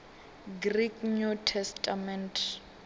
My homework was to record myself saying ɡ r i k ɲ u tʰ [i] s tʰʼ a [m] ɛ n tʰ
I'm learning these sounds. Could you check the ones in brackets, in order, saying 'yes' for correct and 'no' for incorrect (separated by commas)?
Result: no, yes